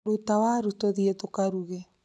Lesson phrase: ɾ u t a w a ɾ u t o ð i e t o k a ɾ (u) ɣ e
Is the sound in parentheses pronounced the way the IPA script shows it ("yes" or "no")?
yes